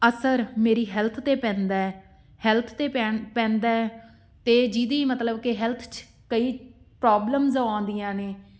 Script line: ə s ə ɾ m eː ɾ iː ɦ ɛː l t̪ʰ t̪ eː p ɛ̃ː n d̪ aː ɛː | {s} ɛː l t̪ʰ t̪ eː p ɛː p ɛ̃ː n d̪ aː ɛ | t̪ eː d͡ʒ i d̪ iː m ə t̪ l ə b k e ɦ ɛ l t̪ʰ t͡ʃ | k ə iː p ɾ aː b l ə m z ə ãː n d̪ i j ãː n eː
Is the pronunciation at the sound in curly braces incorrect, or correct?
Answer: incorrect: h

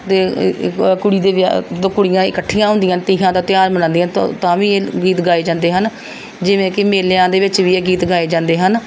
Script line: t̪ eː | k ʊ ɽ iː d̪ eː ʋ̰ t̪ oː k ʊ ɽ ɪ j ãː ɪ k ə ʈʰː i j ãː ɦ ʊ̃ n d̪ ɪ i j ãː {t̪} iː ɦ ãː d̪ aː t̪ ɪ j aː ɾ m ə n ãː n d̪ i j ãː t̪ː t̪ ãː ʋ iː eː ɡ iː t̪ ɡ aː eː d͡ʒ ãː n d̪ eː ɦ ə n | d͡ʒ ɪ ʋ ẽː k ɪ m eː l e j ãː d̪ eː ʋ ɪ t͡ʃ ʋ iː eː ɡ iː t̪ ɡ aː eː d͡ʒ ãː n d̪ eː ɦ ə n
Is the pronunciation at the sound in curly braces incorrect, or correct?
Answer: correct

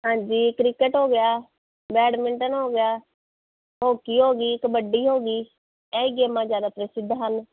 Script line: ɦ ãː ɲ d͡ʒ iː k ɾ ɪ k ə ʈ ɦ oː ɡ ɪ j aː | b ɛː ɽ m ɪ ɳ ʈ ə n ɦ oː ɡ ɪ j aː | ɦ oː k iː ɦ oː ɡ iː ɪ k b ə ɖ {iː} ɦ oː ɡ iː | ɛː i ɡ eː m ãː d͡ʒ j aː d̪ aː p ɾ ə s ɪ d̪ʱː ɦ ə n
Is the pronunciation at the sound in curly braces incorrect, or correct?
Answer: correct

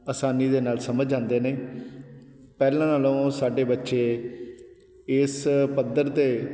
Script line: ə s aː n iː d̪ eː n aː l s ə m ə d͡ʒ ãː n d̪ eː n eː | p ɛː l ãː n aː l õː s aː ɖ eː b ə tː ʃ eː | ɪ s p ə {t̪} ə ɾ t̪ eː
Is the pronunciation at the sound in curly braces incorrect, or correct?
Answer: incorrect: d̪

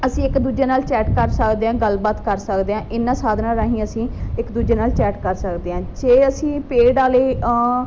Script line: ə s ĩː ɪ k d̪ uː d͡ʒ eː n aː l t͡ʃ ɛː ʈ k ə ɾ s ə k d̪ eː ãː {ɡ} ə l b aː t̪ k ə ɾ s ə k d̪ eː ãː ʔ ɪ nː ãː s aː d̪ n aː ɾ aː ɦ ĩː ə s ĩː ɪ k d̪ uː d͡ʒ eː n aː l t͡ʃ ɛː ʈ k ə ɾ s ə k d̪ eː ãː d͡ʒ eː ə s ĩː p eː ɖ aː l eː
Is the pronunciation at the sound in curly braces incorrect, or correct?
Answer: correct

